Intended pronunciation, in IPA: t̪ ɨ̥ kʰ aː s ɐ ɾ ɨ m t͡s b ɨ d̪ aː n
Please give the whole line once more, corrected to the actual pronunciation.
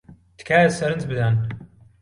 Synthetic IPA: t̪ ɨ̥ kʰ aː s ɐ ɾ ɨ n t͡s b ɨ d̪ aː n